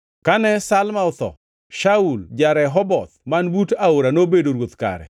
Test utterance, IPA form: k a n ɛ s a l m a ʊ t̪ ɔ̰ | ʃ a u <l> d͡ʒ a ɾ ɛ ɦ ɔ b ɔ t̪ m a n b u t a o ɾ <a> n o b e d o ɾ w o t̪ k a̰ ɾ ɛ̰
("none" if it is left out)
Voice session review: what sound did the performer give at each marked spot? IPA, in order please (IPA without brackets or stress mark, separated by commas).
l, a